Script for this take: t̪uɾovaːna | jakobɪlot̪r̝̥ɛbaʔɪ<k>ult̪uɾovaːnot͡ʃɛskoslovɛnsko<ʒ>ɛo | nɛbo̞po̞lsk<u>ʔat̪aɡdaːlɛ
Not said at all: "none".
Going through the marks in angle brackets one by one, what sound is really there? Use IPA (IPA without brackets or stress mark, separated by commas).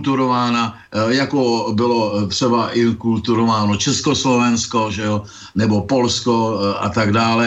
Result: k, ʒ, o